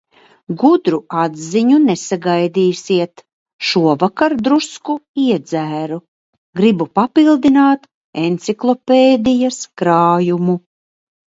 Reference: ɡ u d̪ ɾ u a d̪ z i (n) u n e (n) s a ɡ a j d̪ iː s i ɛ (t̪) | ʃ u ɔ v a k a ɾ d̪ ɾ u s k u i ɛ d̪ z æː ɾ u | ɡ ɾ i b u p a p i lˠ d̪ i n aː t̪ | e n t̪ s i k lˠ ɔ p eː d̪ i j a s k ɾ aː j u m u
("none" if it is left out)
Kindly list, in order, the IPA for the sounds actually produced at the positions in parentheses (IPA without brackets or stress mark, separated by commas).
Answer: ɲ, none, t̪